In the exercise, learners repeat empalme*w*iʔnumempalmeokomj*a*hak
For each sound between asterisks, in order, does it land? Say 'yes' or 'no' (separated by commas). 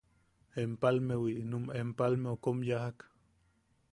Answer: yes, yes